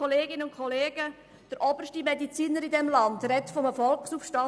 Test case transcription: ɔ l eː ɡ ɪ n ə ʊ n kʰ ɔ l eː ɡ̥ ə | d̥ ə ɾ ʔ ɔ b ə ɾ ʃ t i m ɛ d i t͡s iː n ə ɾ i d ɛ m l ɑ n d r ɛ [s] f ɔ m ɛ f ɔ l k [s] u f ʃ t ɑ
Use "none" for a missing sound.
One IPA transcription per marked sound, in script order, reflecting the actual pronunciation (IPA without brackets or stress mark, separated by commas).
t, s